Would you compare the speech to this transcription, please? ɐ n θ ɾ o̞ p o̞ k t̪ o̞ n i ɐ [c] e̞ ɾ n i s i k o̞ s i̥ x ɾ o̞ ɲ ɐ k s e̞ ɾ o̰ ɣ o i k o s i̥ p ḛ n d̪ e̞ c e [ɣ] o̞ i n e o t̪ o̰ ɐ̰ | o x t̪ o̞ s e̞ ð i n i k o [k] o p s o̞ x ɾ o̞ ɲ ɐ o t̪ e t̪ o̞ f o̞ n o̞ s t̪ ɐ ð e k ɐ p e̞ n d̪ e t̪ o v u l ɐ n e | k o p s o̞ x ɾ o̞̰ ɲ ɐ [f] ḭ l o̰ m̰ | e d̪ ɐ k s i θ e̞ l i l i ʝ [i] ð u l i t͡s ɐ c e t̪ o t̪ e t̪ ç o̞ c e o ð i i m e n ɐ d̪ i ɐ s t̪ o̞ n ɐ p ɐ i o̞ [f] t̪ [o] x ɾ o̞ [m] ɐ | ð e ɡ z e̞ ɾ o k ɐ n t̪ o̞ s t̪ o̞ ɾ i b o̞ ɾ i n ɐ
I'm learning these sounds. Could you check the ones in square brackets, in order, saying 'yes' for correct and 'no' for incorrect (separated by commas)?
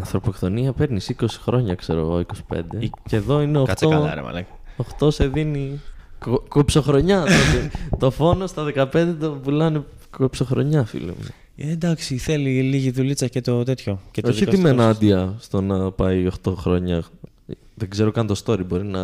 no, no, yes, yes, yes, no, yes, no